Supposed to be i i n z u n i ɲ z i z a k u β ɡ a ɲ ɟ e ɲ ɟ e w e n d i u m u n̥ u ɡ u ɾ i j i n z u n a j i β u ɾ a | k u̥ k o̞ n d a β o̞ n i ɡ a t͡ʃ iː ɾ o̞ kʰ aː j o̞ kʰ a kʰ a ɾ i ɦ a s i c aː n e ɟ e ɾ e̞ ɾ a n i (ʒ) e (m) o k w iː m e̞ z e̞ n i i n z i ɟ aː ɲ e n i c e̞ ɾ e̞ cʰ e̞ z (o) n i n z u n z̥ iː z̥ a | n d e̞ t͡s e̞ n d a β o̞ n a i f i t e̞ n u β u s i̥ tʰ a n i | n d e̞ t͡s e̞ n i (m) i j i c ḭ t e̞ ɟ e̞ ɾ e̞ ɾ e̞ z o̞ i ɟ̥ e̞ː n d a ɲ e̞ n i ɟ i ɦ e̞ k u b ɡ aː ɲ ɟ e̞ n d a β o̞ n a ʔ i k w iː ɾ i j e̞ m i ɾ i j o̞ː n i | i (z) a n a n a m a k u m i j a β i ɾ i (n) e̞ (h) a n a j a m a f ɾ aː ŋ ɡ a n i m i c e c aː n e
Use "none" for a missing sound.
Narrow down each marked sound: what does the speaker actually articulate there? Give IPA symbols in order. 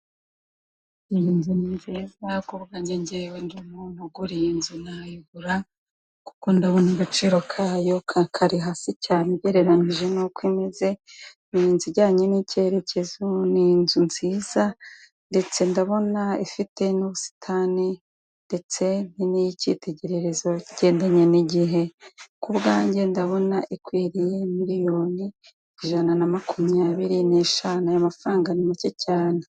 ʒ, n, o, n, ʒ, n, ʃ

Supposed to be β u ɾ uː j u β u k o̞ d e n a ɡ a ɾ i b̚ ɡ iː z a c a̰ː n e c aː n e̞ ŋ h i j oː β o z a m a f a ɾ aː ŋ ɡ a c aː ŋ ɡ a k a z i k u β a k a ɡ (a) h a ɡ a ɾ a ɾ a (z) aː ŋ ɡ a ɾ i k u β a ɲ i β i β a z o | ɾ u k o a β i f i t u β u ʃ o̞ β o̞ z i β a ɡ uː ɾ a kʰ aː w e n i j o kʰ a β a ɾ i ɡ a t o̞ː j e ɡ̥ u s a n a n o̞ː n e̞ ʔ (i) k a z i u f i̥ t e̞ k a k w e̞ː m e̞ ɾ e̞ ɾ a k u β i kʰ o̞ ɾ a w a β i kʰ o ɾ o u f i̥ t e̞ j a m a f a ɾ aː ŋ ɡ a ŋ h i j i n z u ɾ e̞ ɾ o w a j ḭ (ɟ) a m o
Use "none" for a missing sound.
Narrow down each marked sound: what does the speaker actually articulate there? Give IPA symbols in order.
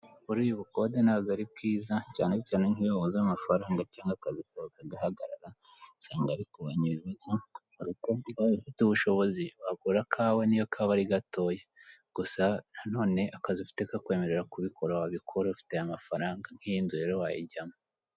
a, s, a, ɟ

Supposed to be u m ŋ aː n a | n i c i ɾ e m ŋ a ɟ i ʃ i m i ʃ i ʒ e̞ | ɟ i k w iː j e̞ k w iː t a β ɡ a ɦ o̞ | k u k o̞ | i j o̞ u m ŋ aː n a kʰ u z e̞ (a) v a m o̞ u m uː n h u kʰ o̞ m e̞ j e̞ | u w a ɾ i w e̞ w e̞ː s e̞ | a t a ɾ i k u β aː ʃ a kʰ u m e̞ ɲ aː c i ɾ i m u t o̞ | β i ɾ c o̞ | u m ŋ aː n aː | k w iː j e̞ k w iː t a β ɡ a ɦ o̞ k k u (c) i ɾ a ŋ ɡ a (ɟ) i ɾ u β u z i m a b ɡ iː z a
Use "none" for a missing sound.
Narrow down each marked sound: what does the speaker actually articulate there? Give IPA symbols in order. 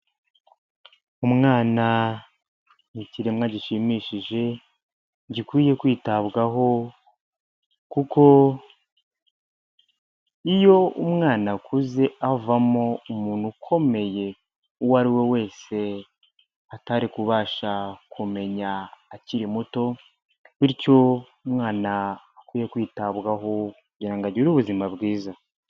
a, ɟ, ɟ

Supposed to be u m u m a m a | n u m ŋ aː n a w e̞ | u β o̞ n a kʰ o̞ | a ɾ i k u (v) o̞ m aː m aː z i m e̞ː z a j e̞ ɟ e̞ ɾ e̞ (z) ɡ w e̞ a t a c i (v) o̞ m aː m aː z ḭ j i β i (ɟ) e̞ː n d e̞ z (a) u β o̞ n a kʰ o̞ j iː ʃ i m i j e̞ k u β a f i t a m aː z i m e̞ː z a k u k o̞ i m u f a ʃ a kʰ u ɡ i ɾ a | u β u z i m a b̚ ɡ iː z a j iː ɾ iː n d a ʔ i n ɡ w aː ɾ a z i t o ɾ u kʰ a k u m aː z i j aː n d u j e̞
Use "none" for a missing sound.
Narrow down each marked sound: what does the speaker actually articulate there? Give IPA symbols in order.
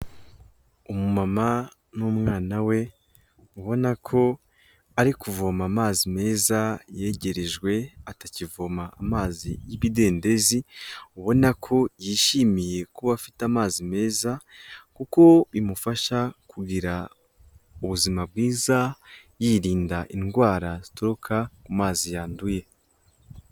v, ʒ, v, d, i

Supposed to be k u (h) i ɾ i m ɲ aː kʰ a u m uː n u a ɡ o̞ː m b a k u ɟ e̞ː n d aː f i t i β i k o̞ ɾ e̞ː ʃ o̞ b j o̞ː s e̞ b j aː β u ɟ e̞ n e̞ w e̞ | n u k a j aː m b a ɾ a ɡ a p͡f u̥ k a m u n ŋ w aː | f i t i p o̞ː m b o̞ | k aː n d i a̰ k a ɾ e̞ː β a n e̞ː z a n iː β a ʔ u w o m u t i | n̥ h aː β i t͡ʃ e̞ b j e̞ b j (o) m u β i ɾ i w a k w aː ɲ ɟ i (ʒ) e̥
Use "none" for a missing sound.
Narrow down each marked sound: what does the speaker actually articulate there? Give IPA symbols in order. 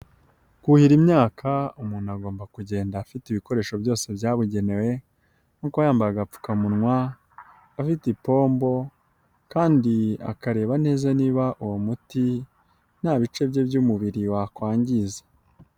h, u, z

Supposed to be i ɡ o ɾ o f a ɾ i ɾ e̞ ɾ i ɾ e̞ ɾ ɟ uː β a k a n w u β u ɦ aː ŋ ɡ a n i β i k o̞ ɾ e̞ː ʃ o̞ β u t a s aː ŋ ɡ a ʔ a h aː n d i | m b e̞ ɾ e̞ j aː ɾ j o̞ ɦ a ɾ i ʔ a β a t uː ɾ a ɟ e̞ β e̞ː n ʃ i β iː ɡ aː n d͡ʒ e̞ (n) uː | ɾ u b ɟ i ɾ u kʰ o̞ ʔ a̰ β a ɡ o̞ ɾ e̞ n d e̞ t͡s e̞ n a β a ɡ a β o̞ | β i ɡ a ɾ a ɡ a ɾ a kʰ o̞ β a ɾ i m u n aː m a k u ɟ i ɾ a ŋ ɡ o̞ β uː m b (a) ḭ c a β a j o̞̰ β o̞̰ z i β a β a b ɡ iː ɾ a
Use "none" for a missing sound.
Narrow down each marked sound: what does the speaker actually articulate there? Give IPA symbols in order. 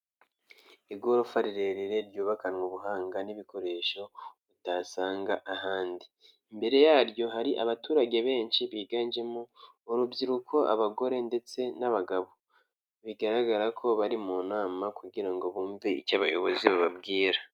m, i

